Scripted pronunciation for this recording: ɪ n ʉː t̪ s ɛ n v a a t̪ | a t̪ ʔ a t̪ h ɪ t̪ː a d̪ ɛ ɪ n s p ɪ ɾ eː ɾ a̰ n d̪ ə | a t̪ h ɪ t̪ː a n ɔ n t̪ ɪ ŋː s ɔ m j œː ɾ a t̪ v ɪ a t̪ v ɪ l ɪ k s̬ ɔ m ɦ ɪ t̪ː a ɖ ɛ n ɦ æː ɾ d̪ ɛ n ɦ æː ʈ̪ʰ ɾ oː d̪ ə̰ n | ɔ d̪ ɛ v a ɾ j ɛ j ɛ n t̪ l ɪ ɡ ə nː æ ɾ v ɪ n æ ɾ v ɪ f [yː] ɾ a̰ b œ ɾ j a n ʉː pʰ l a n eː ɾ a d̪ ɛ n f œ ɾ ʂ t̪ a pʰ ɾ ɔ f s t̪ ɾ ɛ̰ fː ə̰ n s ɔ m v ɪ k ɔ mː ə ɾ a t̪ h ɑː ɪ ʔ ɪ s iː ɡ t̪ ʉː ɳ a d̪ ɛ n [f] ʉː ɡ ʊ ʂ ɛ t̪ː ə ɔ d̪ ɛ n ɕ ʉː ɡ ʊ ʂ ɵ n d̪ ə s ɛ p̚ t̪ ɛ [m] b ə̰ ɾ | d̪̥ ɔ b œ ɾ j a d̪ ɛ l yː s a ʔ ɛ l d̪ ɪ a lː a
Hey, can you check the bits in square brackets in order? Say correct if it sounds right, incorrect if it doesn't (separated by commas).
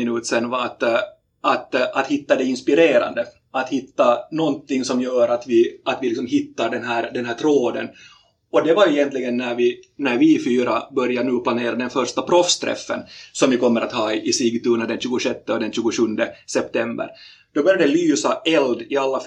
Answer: correct, incorrect, correct